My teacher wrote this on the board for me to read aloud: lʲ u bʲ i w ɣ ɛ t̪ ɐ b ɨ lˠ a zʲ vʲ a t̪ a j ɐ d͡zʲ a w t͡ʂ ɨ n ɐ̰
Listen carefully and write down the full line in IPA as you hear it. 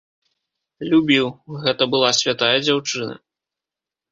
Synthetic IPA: lʲ u bʲ i w ɣ ɛ t̪ ɐ b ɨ lˠ a sʲ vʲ a t̪ a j ɐ d͡zʲ a w t͡ʂ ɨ n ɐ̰